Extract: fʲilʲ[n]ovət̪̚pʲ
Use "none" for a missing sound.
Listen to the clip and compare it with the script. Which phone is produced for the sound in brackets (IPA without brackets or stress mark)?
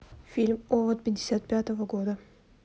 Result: m